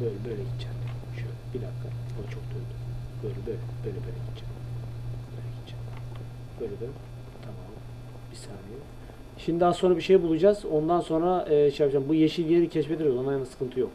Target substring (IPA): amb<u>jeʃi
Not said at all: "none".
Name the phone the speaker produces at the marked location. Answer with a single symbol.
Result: u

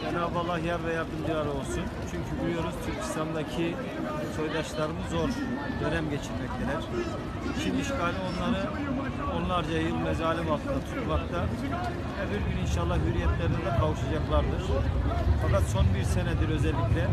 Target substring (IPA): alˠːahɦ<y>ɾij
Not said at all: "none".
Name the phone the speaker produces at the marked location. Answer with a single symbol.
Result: y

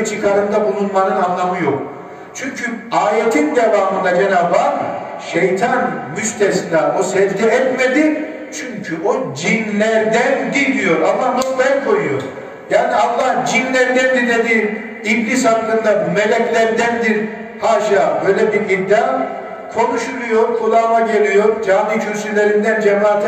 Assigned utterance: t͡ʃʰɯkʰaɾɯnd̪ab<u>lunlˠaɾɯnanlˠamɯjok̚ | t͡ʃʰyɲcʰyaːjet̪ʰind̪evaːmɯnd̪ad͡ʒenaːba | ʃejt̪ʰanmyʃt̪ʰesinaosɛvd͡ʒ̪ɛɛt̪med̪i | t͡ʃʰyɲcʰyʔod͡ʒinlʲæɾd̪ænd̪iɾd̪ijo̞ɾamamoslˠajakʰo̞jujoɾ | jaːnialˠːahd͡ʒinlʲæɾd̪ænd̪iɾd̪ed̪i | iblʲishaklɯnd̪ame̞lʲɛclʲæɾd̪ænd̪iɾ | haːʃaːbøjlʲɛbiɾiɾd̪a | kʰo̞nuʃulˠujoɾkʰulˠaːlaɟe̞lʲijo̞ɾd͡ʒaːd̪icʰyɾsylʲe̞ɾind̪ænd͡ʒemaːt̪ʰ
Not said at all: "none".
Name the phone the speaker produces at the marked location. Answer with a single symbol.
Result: u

